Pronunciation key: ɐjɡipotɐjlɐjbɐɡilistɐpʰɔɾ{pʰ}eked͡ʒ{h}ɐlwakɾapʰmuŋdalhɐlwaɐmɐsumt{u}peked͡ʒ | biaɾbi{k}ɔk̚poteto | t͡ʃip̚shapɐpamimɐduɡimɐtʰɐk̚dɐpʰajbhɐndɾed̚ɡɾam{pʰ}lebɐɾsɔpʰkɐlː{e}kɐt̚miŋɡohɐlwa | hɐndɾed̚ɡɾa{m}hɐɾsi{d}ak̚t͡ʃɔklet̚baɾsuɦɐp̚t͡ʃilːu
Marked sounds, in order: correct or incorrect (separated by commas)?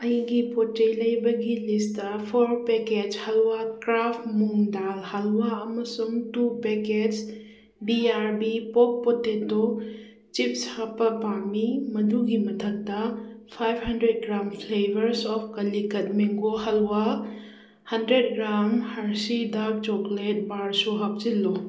incorrect, correct, correct, incorrect, correct, incorrect, correct, correct